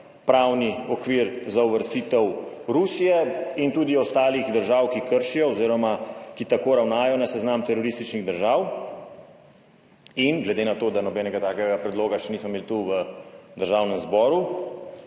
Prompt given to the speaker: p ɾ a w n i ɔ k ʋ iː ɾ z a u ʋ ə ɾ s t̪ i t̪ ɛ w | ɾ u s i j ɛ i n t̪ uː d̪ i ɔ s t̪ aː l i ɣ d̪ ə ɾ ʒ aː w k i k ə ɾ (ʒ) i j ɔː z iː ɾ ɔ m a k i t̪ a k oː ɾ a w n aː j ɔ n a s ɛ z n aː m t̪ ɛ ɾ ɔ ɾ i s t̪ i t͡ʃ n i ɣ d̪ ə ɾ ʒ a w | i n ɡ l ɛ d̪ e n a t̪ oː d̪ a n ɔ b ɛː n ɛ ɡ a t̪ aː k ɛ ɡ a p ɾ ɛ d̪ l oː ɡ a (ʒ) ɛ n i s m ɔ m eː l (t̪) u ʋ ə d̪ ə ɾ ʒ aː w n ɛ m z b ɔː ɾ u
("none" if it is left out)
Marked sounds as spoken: ʃ, ʃ, t̪

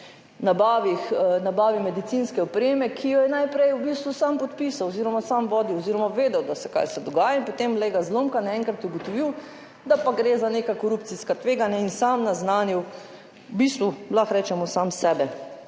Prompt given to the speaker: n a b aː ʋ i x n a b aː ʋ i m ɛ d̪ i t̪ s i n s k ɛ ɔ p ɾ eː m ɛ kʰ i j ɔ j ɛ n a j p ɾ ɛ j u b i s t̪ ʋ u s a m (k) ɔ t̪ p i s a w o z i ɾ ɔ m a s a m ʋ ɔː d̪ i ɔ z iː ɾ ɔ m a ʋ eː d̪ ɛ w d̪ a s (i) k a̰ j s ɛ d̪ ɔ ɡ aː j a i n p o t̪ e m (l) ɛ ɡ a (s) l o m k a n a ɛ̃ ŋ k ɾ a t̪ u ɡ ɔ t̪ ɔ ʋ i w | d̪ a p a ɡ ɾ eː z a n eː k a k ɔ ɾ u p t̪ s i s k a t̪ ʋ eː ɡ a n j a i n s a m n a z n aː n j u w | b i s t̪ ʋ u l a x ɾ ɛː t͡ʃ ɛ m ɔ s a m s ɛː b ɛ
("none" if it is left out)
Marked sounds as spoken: p, ɛ, l, z

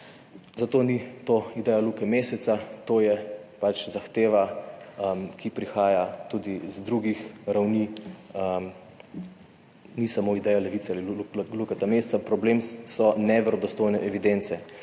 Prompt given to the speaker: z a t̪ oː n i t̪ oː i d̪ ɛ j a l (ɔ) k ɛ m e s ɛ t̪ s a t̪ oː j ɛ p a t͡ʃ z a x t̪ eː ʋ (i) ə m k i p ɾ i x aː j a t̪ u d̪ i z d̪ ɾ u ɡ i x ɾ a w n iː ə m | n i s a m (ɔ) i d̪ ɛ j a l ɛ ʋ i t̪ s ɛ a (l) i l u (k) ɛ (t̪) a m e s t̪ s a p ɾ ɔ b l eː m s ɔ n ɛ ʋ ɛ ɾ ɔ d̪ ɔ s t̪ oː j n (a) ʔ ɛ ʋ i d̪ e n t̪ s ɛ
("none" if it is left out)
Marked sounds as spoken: u, a, o, l, k, t̪, ɛ

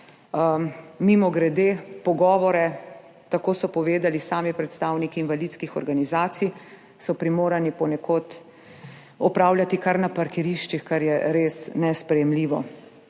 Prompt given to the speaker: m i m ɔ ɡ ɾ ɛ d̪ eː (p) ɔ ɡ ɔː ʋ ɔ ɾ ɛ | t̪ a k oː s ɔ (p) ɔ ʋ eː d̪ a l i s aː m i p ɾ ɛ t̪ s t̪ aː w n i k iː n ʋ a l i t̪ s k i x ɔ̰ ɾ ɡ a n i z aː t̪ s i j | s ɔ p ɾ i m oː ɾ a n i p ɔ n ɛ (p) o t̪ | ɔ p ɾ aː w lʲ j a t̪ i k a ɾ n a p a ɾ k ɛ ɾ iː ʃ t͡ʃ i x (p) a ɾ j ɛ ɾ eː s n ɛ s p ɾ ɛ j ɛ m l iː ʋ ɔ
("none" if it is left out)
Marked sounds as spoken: p, p, k, k

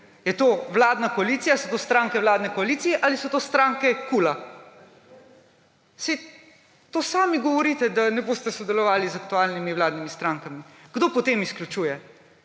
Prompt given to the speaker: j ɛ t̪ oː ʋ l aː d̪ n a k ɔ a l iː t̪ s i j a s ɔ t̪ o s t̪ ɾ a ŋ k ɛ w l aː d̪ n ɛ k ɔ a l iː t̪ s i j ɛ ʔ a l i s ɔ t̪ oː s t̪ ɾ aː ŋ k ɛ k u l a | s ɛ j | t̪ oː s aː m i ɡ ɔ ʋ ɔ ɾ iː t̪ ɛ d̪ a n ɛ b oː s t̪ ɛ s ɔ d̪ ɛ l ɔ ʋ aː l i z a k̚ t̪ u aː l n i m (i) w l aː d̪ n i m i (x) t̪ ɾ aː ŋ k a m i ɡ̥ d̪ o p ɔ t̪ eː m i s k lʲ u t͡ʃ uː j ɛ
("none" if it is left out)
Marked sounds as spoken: i, s

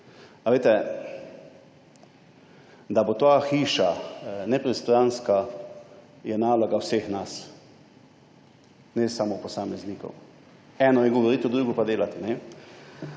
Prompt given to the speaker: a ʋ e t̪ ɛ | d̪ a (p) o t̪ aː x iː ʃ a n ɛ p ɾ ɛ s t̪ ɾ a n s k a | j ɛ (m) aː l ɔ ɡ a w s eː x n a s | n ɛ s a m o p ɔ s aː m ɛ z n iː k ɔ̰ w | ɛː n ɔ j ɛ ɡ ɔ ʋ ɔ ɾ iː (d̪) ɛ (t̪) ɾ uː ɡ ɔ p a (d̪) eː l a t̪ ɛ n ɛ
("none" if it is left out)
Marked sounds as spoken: b, n, t̪, d̪, d̪

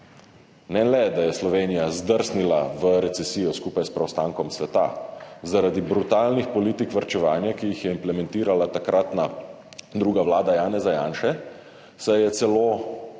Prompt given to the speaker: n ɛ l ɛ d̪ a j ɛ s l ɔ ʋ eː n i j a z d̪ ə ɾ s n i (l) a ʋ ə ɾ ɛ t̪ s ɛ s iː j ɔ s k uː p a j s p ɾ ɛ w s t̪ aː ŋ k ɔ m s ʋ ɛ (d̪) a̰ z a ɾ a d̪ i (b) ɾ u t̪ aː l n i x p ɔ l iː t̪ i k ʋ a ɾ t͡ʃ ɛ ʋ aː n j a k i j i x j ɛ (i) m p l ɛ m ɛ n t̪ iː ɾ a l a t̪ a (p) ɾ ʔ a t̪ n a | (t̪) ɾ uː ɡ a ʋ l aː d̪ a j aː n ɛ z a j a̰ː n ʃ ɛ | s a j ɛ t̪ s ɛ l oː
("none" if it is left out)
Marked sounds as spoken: l, t̪, b, i, k, d̪

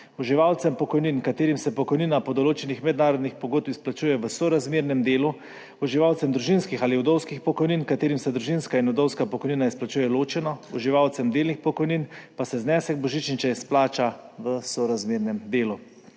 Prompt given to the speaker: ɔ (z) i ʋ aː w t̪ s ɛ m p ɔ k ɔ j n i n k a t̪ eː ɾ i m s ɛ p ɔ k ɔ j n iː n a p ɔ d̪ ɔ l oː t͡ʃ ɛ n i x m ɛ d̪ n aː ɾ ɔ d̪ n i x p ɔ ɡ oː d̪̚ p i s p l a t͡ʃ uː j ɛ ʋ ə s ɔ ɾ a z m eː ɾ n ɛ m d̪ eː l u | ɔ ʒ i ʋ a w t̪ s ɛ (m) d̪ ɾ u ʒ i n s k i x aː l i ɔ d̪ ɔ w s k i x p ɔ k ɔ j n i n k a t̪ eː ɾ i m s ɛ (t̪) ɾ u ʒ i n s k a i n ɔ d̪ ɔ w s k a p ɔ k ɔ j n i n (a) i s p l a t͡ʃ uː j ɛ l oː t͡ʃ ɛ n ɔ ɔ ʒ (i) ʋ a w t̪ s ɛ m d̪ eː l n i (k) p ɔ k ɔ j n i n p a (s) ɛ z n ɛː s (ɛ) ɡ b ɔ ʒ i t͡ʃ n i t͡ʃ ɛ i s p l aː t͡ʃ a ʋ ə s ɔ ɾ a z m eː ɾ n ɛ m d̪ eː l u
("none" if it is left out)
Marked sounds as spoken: ʒ, m, d̪, a, i, x, s, ɛ

